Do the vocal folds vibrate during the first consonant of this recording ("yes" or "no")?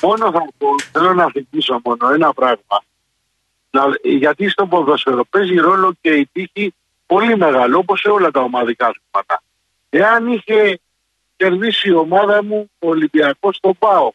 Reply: yes